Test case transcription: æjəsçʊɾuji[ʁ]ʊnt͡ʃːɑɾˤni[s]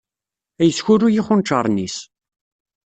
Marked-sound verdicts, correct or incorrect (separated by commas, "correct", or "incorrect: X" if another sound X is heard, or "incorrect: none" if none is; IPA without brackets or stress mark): incorrect: χ, correct